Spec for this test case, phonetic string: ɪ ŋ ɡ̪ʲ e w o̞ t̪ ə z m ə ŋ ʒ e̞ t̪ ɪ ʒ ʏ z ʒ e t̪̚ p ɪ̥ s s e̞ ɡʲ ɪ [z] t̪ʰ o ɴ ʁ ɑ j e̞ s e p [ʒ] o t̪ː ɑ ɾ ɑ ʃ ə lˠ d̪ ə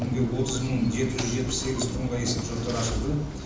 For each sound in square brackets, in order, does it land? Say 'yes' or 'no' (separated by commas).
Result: yes, yes